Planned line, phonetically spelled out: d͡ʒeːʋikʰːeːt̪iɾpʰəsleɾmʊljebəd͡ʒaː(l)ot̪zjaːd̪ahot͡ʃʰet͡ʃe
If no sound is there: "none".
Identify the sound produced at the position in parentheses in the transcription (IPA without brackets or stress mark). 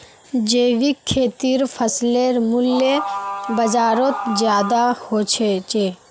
ɾ